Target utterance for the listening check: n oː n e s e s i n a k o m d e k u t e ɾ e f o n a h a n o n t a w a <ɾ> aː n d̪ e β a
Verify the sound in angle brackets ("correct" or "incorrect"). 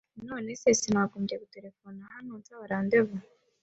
correct